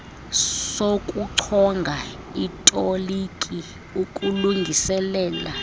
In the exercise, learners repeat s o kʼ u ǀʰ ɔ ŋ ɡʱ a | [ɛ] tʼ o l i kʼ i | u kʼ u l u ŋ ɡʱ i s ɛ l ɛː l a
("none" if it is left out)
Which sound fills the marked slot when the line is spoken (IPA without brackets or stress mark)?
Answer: i